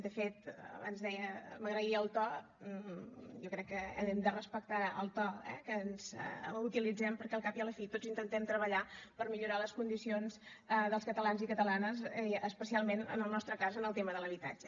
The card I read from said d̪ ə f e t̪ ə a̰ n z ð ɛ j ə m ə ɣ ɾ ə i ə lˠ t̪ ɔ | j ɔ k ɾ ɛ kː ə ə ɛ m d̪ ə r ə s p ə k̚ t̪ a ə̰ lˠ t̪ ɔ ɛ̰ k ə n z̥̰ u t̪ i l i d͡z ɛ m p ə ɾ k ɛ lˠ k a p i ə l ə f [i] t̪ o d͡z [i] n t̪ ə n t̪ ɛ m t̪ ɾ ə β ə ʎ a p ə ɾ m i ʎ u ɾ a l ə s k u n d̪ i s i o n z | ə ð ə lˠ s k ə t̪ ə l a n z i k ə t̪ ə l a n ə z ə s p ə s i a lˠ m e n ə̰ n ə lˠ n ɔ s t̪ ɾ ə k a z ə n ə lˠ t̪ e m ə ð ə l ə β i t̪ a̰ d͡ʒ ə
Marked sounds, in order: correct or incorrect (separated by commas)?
correct, correct